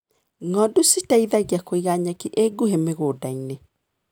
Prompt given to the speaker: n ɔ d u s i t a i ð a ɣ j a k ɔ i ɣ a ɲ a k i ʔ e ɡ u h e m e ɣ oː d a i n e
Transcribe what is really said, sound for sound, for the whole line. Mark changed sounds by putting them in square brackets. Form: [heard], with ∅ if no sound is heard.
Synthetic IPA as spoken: [ŋ] ɔ d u s i t a i ð a ɣ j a k [o] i ɣ a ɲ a k i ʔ e ɡ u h e m e ɣ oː d a i n e